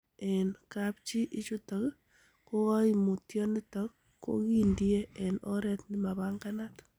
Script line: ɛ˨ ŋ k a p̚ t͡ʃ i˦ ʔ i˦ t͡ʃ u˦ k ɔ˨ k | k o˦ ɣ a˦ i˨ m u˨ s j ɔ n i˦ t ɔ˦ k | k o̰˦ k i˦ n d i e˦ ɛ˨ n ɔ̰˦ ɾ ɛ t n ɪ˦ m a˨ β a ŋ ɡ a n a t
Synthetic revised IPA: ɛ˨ n k a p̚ t͡ʃ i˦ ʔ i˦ t͡ʃ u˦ t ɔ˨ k | k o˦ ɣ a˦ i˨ m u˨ t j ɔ n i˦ t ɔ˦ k | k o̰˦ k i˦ n d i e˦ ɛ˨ n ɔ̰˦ ɾ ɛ t n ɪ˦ m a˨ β a ŋ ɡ a n a t